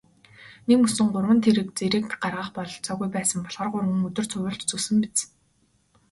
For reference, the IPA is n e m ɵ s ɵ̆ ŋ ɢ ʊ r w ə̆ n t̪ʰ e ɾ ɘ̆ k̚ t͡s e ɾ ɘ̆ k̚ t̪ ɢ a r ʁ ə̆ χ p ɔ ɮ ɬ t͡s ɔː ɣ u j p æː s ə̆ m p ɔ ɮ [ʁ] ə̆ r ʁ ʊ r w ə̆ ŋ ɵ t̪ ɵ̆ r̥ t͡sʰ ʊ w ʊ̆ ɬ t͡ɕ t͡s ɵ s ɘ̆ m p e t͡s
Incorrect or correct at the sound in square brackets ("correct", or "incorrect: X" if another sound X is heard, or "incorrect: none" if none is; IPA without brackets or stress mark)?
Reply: correct